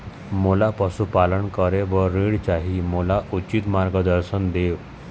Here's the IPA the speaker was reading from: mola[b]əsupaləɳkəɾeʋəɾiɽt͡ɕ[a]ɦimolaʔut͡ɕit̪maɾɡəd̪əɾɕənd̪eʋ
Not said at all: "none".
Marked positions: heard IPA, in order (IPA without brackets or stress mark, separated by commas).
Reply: p, a